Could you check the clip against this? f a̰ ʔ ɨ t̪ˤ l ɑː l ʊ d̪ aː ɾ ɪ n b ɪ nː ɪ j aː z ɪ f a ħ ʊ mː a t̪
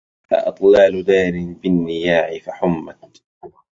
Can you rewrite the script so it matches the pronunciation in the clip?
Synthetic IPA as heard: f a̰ ʔ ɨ t̪ˤ l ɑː l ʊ d̪ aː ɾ ɪ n b ɪ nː ɪ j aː ʕ ɪ f a ħ ʊ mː a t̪